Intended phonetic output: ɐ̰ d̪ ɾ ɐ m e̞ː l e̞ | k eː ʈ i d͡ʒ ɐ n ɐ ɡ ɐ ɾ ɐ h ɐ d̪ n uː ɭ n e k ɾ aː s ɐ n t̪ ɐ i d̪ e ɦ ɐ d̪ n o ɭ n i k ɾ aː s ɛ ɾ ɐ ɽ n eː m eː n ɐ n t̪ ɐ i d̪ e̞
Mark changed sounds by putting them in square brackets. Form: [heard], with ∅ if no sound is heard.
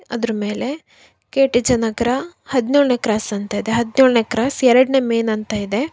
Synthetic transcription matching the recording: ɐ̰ d̪ ɾ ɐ m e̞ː l e̞ | k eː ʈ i d͡ʒ ɐ n ɐ ɡ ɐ ɾ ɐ h ɐ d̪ n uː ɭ n e k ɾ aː s ɐ n t̪ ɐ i d̪ e ɦ ɐ d̪ n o ɭ n [e] k ɾ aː s ɛ ɾ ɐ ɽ n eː m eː n ɐ n t̪ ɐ i d̪ e̞